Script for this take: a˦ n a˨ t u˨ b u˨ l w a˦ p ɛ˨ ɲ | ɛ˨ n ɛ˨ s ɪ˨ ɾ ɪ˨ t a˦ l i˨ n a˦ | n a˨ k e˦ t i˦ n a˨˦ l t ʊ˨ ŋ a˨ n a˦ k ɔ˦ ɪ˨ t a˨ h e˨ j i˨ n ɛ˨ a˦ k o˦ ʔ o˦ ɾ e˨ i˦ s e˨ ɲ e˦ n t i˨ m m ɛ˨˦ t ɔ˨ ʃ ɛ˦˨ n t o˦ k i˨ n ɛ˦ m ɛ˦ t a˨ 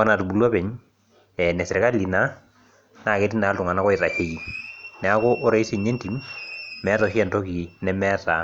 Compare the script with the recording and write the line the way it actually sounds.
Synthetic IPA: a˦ n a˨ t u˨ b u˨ l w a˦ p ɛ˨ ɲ | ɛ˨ n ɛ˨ s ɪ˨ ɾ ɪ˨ k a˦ l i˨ n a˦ | n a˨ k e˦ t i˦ n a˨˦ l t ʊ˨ ŋ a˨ n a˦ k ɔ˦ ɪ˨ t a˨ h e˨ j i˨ n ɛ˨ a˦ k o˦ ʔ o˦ ɾ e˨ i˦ s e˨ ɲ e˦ n t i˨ m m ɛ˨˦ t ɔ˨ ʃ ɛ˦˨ n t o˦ k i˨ n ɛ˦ m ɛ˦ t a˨